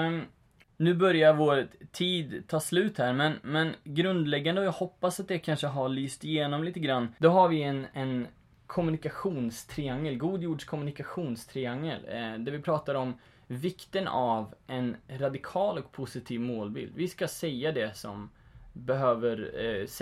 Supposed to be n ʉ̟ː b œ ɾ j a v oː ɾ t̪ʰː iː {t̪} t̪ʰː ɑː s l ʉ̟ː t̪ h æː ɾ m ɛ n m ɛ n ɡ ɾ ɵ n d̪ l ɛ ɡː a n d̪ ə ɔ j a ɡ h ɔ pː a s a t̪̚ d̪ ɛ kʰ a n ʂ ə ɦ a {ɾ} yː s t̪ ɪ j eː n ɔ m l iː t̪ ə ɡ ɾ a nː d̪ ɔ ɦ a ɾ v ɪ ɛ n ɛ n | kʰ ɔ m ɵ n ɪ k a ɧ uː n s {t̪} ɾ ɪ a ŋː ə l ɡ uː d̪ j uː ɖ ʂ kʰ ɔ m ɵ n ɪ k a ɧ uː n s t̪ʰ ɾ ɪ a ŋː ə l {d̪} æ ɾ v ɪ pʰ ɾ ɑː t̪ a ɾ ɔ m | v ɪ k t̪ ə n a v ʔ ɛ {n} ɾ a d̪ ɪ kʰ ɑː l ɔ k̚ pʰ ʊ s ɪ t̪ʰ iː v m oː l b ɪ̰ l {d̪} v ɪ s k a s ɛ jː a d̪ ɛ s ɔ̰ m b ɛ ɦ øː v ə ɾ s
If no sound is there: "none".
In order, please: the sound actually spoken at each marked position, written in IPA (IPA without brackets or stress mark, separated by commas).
d̪, ɭ, t̪ʰ, d̪, n, d̪